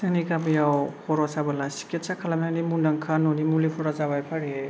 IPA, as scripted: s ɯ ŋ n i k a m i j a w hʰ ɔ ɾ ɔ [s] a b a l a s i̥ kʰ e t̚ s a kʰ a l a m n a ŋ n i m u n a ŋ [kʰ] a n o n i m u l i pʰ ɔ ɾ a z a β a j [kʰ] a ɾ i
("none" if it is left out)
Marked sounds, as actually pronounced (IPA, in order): s, kʰ, pʰ

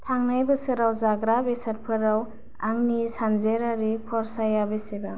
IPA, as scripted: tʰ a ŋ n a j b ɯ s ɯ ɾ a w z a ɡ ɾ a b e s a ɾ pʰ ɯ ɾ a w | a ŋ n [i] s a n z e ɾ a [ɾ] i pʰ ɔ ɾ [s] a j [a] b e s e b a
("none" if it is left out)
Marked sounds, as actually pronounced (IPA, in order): i, ɾ, s, a

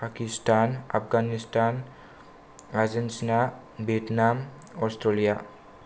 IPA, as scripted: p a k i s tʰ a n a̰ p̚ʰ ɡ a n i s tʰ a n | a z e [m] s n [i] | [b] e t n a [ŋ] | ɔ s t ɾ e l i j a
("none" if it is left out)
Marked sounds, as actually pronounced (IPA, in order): n, a, b, m

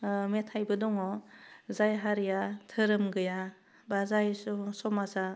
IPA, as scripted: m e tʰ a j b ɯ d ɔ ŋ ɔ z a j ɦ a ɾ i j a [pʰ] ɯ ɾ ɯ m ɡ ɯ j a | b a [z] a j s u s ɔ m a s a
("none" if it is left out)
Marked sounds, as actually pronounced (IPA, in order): tʰ, z

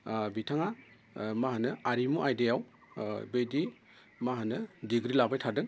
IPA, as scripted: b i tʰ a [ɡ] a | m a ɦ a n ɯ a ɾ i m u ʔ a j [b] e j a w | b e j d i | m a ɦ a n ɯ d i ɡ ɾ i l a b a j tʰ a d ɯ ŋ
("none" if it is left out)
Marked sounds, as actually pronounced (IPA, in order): ŋ, d

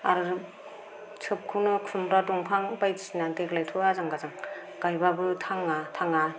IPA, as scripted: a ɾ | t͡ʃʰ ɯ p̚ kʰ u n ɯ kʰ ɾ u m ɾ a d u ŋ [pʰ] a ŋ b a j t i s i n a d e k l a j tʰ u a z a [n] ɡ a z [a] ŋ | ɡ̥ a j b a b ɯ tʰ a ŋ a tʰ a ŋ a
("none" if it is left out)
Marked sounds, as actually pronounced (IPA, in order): pʰ, ŋ, a

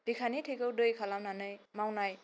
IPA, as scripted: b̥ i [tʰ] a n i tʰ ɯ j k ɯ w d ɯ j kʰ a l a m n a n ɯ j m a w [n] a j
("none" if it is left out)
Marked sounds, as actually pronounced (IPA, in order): kʰ, n

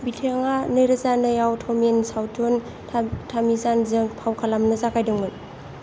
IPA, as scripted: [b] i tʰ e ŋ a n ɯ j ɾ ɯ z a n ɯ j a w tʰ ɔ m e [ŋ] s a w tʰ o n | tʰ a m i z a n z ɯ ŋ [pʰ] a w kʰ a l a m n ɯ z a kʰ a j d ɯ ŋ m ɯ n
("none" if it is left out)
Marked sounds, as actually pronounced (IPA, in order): b, n, pʰ

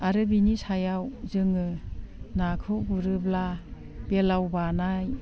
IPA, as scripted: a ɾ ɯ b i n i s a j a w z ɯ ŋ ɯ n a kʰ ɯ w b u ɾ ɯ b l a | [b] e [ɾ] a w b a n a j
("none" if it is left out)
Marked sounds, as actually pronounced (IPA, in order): b, l

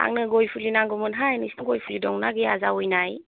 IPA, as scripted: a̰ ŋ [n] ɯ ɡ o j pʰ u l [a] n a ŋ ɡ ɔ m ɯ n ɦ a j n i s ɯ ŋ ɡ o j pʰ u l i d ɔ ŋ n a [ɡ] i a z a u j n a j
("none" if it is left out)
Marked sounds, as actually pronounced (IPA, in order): n, i, ɡ

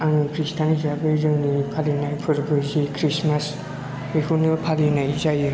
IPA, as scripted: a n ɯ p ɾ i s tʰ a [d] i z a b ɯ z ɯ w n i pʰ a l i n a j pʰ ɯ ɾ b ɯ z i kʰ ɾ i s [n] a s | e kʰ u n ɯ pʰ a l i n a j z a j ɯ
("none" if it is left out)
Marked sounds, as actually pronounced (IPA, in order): n, m

